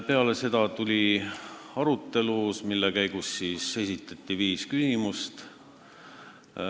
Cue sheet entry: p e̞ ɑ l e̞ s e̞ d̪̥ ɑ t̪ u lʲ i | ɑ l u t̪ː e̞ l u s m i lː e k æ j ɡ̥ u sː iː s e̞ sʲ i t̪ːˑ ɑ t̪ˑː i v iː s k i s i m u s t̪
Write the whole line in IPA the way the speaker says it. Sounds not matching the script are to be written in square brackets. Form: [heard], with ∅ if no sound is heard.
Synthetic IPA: p e̞ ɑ l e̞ s e̞ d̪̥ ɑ t̪ u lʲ i | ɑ [ɾ] u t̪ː e̞ l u s m i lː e k æ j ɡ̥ u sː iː s e̞ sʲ i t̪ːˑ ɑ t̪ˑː i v iː s k [y] s i m u s t̪

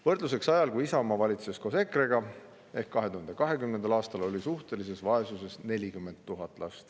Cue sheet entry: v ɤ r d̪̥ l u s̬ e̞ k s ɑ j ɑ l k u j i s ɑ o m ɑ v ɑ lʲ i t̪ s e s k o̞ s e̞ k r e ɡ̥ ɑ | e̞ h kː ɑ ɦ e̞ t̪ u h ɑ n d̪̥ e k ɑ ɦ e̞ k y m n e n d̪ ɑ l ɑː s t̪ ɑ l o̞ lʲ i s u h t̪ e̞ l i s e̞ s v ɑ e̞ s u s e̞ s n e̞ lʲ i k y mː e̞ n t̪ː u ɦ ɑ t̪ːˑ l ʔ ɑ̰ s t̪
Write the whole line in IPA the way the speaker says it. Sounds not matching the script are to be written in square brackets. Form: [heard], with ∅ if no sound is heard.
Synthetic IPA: v ɤ r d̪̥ l u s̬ e̞ k s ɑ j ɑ l k u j i s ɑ o m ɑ v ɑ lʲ i t̪ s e s k o̞ s e̞ k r e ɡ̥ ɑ | e̞ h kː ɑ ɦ e̞ t̪ u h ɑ n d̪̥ e k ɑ ɦ e̞ k y m n e n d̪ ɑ l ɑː s t̪ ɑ l o̞ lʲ i s u h t̪ e̞ l i s e̞ s v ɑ e̞ s u s e̞ s n e̞ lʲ i k y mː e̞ n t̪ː u ɦ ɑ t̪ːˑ l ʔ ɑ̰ s t̪

